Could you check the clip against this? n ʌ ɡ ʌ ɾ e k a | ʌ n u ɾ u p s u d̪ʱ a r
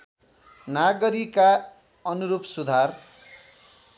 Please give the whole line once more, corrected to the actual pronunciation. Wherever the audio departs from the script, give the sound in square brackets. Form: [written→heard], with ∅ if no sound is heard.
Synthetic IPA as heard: n [ʌ→a] ɡ ʌ ɾ [e→i] k a | ʌ n u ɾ u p s u d̪ʱ a r